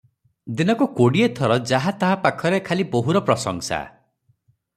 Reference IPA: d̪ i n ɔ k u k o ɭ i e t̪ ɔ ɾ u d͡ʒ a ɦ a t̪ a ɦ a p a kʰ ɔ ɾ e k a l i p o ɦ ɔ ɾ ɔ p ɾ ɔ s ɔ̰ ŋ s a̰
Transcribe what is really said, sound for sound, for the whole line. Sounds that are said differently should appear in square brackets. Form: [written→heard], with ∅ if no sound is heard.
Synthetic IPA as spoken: d̪ i n ɔ k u k o [ɭ→ɽ] i e [t̪→t̪ʰ] ɔ ɾ [u→ɔ] d͡ʒ a ɦ a t̪ a ɦ a p a kʰ ɔ ɾ e [k→kʰ] a l i [p→b] o ɦ [ɔ→u] ɾ ɔ p ɾ ɔ s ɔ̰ ŋ s a̰